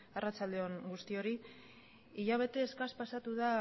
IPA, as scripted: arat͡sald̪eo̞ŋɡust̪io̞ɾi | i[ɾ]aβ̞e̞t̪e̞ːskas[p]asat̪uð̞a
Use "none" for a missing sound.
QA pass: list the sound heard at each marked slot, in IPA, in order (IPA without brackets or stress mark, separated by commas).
ʎ, p